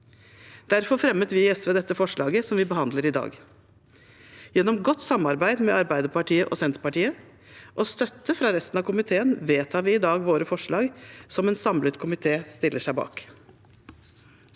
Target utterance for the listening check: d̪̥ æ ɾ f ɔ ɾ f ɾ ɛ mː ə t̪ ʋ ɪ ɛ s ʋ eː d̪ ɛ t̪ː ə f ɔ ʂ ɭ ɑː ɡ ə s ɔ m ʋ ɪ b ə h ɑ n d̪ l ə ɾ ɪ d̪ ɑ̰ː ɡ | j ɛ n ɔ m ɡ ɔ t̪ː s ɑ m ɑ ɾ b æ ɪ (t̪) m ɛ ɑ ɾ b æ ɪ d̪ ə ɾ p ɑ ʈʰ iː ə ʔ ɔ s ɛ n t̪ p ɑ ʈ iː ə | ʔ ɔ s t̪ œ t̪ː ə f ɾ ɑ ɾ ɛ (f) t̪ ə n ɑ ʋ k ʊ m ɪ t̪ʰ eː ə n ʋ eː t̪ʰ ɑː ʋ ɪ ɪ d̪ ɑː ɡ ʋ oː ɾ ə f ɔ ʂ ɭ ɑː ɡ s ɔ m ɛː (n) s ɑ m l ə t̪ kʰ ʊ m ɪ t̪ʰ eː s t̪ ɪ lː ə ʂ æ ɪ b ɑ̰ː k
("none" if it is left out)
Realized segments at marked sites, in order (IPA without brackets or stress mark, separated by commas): d̪, s, n